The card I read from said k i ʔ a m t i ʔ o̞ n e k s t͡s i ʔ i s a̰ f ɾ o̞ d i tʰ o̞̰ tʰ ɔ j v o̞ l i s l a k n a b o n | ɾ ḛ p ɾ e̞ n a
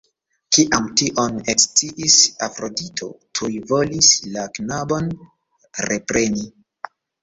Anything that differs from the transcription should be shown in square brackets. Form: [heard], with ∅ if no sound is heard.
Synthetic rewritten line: k i ʔ a m t i ʔ o̞ n e k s t͡s i ʔ i s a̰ f ɾ o̞ d i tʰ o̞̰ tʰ [u] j v o̞ l i s l a k n a b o n | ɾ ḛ p ɾ e̞ n [i]